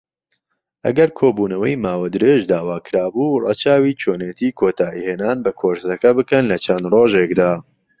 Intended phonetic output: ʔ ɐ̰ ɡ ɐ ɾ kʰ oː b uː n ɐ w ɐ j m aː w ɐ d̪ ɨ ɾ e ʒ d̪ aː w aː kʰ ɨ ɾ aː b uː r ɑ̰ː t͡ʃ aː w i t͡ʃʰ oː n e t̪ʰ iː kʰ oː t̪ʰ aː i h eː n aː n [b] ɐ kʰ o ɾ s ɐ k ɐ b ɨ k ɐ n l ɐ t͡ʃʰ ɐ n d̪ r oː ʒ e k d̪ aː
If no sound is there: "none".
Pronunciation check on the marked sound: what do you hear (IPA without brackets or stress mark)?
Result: b